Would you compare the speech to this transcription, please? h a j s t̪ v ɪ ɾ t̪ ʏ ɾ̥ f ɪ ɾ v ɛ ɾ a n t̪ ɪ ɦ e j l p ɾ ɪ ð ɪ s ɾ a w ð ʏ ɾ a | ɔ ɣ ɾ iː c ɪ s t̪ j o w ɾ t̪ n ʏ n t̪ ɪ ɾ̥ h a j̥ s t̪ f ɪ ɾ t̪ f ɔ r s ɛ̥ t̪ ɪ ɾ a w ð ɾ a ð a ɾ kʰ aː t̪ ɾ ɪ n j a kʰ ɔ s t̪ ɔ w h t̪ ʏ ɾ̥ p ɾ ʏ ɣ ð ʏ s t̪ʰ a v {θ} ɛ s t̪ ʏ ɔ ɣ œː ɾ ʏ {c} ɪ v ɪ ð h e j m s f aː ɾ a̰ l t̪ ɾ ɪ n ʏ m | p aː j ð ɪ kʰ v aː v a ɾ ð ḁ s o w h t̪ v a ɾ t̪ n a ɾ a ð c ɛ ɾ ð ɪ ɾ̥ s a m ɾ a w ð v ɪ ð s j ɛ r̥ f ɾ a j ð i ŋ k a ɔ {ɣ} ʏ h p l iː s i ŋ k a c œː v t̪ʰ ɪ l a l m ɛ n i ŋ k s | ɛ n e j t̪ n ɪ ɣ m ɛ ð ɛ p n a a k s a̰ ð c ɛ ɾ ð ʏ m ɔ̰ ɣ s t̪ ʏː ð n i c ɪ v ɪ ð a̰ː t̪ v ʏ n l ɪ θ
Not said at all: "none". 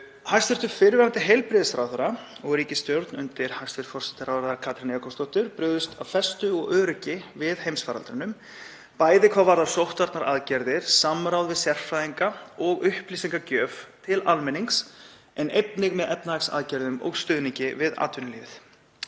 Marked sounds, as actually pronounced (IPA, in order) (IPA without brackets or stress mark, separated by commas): f, c, ɣ